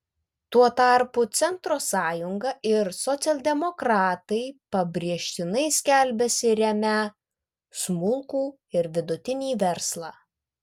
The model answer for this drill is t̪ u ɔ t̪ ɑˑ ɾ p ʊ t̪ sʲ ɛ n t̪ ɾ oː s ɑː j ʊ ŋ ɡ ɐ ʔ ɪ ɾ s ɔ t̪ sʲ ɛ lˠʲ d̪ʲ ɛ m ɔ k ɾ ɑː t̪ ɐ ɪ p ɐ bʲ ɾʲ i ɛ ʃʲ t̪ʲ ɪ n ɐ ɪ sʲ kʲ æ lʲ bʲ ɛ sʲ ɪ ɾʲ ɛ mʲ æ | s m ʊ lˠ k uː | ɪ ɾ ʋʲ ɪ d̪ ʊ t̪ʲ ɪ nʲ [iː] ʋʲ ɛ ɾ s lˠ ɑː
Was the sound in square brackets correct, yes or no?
yes